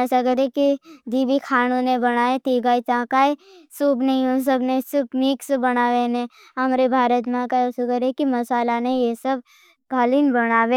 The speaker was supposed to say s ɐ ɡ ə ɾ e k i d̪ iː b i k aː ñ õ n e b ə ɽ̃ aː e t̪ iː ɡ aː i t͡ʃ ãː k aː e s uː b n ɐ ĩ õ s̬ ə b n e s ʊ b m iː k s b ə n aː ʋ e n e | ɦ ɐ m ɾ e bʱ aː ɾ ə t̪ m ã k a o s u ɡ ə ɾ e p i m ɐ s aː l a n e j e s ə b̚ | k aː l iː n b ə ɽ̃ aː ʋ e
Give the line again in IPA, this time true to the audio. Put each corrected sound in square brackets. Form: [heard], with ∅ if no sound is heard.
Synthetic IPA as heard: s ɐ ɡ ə ɾ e k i d̪ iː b i [kʰ] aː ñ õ n e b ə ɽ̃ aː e t̪ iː ɡ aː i t͡ʃ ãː k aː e s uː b n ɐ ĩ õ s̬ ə b n e s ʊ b m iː k s b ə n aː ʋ e n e | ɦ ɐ m ɾ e bʱ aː ɾ ə t̪ m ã k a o s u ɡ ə ɾ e [k] i m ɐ s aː l a n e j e s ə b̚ | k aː l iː n b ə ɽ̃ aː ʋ e